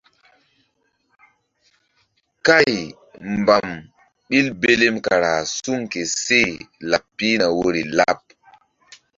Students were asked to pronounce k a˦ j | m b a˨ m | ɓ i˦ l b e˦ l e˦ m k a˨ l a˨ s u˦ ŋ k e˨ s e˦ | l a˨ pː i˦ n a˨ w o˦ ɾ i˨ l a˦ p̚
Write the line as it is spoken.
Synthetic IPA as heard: k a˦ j | m b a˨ m | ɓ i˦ l b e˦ l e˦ m k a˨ ɾ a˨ s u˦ ŋ k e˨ s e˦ | l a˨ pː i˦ n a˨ w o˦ ɾ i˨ l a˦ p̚